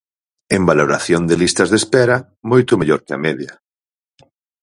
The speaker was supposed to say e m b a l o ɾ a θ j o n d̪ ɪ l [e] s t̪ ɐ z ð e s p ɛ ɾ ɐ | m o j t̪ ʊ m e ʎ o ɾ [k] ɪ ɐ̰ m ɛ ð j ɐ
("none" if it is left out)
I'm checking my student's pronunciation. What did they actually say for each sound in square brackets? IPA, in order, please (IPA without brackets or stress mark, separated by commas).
i, k